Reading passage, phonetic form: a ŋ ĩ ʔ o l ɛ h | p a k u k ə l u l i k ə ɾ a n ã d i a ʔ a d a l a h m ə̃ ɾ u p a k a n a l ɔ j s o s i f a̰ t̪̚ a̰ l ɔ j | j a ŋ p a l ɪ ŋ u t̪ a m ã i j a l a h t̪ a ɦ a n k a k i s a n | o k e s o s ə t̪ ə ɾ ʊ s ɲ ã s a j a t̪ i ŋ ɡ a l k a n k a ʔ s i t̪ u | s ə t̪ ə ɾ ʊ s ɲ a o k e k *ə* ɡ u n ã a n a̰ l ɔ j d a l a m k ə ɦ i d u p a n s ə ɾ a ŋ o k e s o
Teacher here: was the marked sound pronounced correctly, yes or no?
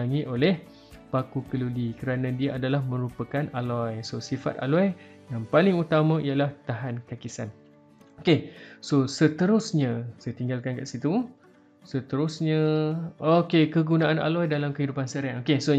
yes